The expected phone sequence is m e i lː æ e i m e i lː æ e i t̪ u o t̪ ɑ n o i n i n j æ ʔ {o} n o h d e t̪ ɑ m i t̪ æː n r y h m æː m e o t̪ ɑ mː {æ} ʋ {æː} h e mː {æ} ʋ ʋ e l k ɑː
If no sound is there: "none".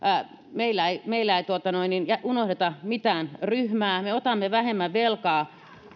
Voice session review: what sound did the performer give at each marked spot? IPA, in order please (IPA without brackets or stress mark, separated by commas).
u, e, æ, æ